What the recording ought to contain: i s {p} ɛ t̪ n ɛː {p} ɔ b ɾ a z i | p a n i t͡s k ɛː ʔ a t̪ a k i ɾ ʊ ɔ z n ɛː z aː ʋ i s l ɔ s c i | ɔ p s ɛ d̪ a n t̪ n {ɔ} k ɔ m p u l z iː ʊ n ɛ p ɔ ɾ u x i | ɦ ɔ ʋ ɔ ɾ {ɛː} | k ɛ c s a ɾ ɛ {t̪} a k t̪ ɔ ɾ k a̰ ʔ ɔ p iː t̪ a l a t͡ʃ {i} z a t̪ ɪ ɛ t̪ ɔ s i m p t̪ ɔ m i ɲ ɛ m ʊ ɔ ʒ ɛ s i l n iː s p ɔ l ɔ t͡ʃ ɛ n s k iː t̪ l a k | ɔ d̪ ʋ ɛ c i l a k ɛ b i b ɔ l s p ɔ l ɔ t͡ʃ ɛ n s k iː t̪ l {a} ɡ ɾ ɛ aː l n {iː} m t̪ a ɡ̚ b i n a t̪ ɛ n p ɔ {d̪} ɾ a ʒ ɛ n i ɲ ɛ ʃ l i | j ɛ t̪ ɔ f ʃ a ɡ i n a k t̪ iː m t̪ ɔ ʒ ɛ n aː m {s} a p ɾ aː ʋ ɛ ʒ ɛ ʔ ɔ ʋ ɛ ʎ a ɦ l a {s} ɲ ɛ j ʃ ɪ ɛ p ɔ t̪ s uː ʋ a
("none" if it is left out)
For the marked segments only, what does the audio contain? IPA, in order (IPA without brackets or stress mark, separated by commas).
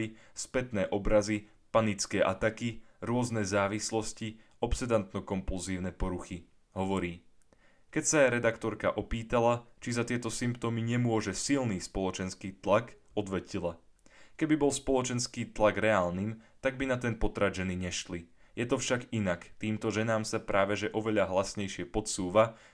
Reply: p, ʔ, ɔ, iː, d̪, i, a, iː, t̪, s, s